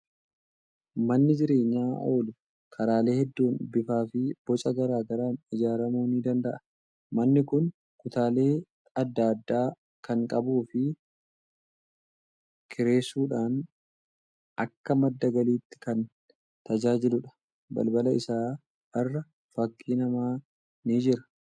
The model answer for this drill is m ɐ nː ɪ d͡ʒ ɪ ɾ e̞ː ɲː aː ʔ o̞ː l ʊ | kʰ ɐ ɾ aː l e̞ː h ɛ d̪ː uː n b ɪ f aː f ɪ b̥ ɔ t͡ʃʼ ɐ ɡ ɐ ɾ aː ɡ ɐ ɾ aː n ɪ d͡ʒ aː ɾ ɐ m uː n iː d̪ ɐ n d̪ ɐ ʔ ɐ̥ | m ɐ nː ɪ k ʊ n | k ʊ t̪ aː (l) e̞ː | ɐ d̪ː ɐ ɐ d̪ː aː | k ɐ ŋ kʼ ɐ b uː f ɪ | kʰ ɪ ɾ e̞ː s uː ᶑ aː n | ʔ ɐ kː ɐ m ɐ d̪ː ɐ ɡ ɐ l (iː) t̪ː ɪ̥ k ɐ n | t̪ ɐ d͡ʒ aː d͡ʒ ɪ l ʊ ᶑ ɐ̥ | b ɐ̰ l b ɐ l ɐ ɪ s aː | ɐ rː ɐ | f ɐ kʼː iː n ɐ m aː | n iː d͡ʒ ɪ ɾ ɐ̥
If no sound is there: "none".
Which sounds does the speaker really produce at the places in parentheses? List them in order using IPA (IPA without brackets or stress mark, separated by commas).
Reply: l, iː